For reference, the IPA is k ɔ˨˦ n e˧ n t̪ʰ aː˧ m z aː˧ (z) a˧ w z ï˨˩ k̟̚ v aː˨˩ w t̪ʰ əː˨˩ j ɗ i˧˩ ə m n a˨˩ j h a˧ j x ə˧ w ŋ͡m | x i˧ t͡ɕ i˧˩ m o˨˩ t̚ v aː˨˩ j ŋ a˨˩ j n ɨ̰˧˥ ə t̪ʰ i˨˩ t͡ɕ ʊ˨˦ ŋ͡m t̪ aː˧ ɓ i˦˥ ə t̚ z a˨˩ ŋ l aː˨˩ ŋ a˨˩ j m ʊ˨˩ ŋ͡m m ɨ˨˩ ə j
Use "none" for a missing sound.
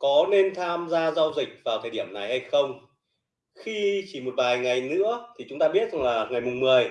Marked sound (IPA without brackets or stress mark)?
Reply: z